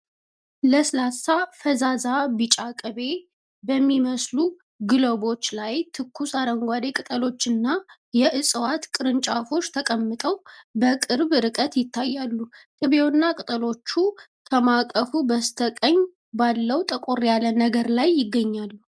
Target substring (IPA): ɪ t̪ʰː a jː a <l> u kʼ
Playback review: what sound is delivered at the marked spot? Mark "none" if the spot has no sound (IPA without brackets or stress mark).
lː